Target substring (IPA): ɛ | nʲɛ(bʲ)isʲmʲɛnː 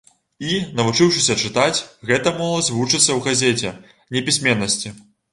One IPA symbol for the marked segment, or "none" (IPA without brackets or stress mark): pʲ